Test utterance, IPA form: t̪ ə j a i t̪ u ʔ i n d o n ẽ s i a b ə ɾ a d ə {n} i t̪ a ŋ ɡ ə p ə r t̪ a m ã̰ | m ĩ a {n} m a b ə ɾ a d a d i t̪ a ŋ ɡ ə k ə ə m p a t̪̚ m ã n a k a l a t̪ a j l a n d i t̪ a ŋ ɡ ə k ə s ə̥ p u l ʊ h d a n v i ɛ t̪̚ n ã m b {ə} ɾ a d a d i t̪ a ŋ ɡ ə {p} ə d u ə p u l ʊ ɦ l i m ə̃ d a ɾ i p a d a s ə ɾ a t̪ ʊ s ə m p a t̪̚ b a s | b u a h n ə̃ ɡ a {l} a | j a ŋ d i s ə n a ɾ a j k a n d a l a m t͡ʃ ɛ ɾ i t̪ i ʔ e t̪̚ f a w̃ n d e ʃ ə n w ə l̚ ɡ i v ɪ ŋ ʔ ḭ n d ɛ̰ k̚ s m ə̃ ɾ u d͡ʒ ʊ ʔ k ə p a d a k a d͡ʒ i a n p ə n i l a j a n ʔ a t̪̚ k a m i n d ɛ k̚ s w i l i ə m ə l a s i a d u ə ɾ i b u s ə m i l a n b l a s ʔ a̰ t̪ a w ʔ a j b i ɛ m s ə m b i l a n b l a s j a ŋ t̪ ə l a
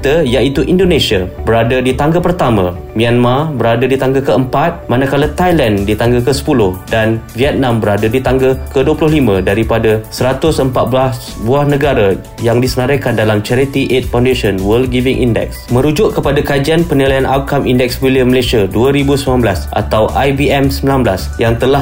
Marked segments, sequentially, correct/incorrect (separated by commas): incorrect, correct, correct, incorrect, incorrect